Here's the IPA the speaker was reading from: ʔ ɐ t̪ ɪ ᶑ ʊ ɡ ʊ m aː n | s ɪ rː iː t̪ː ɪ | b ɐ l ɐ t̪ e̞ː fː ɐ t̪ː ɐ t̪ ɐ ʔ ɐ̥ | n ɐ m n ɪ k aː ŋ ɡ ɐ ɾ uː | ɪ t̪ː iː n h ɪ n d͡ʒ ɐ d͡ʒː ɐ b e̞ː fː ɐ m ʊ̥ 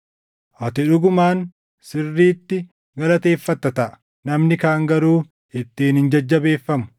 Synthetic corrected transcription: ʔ ɐ t̪ ɪ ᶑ ʊ ɡ ʊ m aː n | s ɪ rː iː t̪ː ɪ | ɡ ɐ l ɐ t̪ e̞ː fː ɐ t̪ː ɐ t̪ ɐ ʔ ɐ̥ | n ɐ m n ɪ k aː ŋ ɡ ɐ ɾ uː | ɪ t̪ː iː n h ɪ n d͡ʒ ɐ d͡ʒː ɐ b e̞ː fː ɐ m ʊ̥